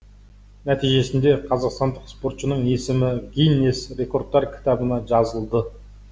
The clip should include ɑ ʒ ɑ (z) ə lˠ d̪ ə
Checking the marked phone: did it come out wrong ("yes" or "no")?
no